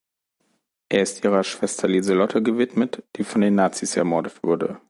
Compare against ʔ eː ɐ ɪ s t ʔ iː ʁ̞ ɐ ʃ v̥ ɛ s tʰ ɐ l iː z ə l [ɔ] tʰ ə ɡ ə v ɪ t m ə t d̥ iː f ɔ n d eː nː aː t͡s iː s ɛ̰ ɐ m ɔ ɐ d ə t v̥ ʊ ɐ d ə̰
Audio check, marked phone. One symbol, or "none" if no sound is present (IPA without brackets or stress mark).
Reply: ɔ